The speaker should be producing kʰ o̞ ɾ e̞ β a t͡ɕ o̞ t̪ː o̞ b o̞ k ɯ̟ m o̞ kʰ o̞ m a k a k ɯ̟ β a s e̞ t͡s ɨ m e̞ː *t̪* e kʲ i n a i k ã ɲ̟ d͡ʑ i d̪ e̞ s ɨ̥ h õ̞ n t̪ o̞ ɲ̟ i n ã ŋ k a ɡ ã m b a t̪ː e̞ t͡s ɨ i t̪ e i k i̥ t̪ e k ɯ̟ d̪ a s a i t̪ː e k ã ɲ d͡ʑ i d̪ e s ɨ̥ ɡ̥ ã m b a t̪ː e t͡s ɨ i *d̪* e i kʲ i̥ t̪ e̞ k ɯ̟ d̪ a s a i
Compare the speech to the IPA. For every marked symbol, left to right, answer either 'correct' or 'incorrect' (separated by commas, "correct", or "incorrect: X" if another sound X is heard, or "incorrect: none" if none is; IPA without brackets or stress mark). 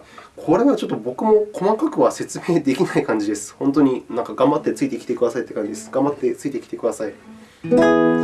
incorrect: d̪, incorrect: t̪